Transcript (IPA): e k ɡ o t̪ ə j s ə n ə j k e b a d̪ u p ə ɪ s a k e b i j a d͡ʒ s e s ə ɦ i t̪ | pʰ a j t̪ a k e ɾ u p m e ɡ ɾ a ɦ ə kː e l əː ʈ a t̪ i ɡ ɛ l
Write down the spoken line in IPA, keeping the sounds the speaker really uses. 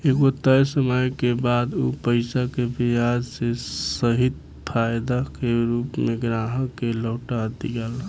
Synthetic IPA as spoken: e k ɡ o t̪ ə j s ə m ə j k e b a d̪ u p ə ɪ s a k e b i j a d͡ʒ s e s ə ɦ i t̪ | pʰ a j d̪ a k e ɾ u p m e ɡ ɾ a ɦ ə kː e l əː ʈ a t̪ i ɡ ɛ l